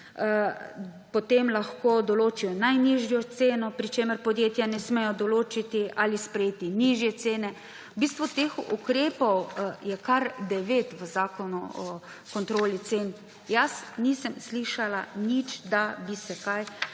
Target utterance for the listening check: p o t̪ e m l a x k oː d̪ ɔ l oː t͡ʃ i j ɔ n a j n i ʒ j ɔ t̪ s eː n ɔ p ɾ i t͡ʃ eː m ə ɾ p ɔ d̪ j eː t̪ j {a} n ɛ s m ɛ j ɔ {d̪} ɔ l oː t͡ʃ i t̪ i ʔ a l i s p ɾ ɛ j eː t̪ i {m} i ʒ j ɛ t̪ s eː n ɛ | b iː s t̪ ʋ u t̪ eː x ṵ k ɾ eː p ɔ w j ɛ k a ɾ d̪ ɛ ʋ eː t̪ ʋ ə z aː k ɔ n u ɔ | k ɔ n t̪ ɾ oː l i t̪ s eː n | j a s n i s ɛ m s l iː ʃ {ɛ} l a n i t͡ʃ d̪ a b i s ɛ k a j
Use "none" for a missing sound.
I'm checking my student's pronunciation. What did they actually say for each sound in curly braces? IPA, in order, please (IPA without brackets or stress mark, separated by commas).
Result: a, d̪, n, a